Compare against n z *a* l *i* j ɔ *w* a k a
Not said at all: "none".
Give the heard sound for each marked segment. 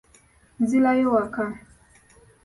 i, a, w

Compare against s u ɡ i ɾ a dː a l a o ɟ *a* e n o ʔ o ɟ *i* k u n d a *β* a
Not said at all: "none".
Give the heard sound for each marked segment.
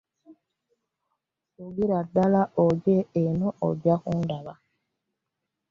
e, a, β

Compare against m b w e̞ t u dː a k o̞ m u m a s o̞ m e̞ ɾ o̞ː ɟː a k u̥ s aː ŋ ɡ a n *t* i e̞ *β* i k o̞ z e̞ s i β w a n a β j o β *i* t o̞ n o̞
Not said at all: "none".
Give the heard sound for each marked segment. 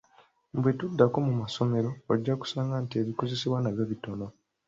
t, β, i

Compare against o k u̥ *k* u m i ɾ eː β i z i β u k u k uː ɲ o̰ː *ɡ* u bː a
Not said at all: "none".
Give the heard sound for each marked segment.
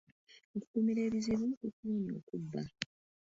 k, k

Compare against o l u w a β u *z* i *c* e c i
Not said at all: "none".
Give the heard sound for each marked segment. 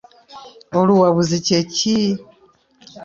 z, c

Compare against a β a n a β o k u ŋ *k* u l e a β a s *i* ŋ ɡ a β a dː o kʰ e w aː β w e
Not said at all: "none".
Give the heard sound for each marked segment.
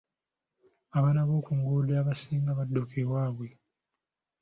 ɡ, iː

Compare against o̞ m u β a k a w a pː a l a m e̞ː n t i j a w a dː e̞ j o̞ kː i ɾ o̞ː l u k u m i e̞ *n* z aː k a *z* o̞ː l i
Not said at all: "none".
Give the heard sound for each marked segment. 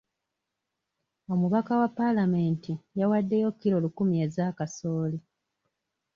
none, s

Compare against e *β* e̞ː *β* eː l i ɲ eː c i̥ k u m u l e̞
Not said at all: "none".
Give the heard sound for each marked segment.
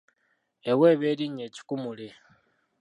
w, β

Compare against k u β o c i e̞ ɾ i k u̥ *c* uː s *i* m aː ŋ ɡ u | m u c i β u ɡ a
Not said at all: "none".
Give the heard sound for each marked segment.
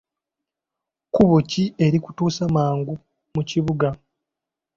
t, a

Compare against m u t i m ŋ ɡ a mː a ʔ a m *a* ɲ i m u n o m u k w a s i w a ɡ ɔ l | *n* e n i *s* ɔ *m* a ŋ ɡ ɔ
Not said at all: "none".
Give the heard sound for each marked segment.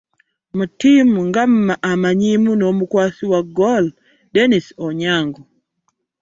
a, d, s, ɲ

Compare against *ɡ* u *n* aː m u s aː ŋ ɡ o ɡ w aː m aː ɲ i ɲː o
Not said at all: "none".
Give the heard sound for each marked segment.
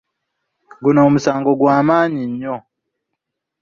ɡ, n

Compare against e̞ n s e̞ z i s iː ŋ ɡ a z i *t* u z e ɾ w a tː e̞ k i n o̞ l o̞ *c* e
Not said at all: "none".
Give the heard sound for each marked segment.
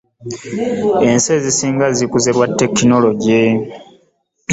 k, ɟ

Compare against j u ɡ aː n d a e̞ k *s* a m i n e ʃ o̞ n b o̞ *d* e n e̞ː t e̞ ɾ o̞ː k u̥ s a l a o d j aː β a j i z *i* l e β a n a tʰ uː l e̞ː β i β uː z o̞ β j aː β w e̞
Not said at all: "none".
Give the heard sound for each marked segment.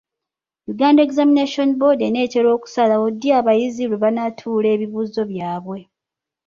z, d, i

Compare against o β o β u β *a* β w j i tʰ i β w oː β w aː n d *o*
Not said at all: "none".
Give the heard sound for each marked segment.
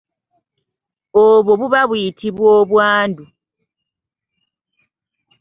a, u

